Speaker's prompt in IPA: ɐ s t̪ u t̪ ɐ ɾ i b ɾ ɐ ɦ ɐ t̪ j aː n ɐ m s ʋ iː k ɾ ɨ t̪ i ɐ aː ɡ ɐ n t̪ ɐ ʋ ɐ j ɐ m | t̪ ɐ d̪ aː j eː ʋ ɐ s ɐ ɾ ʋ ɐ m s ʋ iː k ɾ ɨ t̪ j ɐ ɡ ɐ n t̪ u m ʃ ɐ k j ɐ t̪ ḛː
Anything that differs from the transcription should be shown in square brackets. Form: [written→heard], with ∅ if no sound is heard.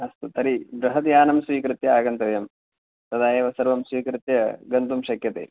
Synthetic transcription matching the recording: ɐ s t̪ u t̪ ɐ ɾ i b ɾ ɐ ɦ ɐ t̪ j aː n ɐ m s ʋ iː k ɾ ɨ t̪ [i→j] ɐ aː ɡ ɐ n t̪ ɐ ʋ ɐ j ɐ m | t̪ ɐ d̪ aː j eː ʋ ɐ s ɐ ɾ ʋ ɐ m s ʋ iː k ɾ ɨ t̪ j ɐ ɡ ɐ n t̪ u m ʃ ɐ k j ɐ t̪ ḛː